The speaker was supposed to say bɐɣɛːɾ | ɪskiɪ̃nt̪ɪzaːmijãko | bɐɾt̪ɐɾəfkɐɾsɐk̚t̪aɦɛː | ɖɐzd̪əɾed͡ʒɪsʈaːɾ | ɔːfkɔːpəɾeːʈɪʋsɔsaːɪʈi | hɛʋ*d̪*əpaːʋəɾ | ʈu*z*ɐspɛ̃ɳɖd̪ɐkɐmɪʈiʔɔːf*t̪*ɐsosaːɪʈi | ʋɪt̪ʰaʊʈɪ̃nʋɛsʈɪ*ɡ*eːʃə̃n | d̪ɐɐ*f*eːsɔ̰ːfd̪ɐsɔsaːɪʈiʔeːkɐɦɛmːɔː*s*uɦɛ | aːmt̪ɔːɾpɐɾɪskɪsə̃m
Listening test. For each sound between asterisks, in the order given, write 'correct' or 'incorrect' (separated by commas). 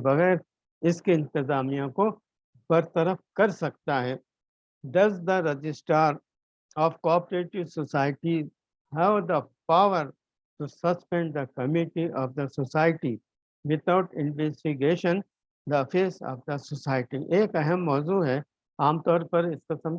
correct, incorrect, incorrect, correct, correct, incorrect